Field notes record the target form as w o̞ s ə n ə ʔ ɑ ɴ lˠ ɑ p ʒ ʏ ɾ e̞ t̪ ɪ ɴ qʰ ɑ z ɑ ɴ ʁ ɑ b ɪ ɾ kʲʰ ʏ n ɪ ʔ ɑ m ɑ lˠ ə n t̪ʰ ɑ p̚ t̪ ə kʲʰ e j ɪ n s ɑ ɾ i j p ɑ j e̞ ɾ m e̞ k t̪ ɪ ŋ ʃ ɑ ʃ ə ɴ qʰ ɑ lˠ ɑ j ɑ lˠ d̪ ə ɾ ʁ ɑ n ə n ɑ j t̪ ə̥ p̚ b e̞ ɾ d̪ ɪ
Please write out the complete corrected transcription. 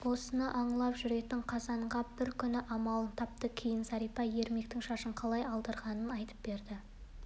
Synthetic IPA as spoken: w o̞ s ə n ə ʔ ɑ ɴ lˠ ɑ p ʒ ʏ ɾ e̞ t̪ ɪ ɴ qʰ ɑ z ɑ ɴ ʁ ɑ b ɪ ɾ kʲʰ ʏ n ɪ ʔ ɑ m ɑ lˠ ə n t̪ʰ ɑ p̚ t̪ ə kʲʰ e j ɪ n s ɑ ɾ i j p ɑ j e̞ ɾ m e̞ k t̪ ɪ ŋ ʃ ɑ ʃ ə ɴ qʰ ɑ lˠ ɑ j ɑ lˠ d̪ ə ɾ ʁ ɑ n ə n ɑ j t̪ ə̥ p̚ b e̞ ɾ d̪ ɪ